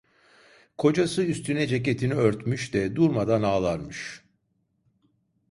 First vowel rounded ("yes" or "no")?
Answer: yes